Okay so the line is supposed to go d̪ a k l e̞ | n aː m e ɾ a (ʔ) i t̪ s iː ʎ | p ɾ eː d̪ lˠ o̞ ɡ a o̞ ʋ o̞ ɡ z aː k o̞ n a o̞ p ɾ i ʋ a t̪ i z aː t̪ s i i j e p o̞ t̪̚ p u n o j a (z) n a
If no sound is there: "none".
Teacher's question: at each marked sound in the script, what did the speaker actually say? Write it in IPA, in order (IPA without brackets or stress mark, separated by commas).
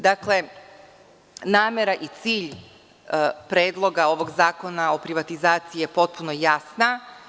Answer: ʔ, s